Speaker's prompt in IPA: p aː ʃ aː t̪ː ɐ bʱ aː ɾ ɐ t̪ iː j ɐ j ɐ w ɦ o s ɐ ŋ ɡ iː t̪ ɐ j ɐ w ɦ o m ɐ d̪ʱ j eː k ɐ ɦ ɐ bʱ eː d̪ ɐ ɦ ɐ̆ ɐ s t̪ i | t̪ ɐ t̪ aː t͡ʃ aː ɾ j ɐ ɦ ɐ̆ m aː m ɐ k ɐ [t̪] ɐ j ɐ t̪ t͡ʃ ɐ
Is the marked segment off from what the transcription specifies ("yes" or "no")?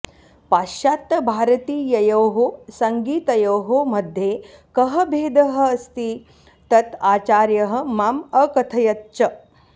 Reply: yes